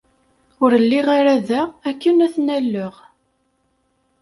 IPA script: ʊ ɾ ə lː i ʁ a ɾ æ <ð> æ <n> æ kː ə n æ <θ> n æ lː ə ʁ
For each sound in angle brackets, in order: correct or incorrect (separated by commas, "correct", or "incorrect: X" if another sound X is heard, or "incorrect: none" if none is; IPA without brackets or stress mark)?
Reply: correct, incorrect: none, correct